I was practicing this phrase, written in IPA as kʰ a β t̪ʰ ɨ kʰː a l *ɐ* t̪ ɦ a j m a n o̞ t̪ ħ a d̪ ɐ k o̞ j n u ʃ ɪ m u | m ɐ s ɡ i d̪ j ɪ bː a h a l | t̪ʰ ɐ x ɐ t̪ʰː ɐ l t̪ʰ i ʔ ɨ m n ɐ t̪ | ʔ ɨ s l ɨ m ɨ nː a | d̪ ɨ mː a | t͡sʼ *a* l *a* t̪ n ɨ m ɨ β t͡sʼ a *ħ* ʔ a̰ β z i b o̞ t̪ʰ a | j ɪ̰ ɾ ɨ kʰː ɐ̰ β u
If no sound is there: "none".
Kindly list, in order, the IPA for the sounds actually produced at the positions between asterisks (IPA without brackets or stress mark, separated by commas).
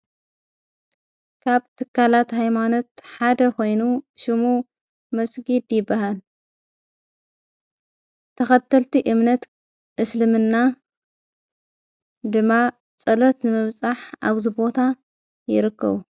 a, ɐ, ɐ, ħ